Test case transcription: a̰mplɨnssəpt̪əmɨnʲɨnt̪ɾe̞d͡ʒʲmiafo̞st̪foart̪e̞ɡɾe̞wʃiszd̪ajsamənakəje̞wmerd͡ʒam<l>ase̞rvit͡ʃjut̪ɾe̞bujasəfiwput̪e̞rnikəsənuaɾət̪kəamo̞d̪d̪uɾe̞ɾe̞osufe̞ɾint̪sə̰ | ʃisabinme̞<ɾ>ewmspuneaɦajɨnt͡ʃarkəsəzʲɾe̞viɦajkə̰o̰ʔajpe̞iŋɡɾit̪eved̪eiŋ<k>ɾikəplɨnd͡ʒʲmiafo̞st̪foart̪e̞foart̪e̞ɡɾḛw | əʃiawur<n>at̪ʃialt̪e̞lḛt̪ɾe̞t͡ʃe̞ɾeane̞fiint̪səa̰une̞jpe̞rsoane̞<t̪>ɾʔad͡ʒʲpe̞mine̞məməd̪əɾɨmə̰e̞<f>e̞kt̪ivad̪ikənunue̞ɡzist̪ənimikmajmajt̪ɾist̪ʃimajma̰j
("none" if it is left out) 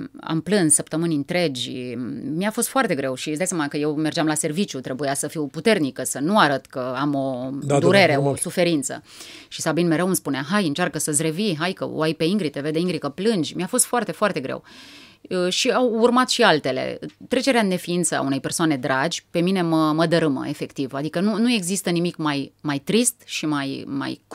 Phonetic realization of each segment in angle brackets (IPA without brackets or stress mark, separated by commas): l, ɾ, ɡ, m, d̪, f